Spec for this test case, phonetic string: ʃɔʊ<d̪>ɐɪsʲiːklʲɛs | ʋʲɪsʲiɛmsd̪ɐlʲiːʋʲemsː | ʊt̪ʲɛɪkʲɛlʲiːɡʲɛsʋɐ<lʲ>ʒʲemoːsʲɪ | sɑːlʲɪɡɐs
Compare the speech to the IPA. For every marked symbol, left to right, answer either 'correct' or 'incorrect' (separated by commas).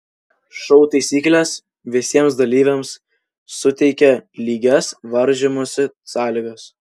incorrect, incorrect